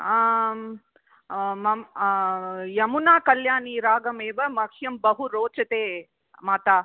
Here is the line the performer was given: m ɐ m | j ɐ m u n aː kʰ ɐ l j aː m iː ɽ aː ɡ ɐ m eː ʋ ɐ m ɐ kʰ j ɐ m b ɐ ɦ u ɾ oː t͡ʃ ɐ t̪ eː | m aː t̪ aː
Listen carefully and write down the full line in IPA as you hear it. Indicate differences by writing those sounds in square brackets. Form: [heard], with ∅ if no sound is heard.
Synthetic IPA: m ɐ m | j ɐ m u n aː [k] ɐ l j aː [n] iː [ɾ] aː ɡ ɐ m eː ʋ ɐ m ɐ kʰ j ɐ m b ɐ ɦ u ɾ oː t͡ʃ ɐ t̪ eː | m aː t̪ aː